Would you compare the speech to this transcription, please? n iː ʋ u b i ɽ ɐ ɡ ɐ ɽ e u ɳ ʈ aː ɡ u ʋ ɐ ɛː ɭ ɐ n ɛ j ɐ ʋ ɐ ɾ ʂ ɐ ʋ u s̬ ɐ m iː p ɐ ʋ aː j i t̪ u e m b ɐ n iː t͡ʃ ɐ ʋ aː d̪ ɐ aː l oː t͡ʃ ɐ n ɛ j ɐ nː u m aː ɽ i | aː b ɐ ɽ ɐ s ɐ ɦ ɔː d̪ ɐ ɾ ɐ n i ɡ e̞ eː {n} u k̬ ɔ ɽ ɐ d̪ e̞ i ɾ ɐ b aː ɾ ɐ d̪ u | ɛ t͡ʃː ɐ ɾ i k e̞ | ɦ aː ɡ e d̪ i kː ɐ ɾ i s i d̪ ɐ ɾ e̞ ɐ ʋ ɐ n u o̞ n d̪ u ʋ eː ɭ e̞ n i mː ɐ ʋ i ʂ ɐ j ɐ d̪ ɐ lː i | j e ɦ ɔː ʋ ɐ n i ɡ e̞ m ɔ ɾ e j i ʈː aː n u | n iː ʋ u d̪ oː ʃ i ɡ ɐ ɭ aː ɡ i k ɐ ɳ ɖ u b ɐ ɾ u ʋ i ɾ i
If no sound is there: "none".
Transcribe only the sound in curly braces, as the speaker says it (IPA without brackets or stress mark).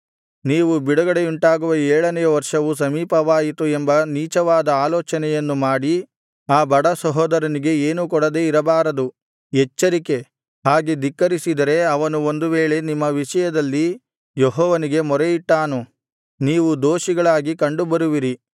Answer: n